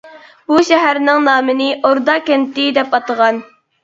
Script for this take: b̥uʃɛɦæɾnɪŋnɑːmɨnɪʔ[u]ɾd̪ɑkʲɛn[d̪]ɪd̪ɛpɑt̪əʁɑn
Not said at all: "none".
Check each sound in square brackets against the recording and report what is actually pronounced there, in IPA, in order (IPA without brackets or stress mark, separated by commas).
o, t̪